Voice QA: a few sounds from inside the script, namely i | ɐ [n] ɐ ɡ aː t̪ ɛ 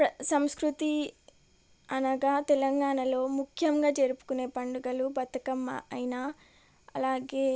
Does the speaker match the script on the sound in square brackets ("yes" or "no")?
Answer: yes